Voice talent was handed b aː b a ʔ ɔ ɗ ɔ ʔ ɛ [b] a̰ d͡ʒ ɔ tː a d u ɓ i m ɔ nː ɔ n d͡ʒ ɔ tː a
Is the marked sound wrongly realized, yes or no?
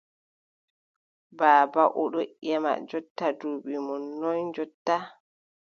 yes